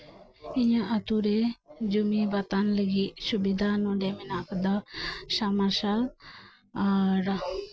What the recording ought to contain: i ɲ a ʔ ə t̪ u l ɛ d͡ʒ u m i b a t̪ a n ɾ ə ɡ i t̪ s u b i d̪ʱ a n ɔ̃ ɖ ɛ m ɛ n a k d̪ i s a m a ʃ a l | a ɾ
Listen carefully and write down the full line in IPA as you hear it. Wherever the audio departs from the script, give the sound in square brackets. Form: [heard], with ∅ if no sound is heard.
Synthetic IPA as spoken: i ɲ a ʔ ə t̪ u [ɾ] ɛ d͡ʒ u m i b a t̪ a n [l] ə ɡ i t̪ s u b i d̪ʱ a n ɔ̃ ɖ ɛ m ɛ n a k d̪ [a] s a m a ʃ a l | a ɾ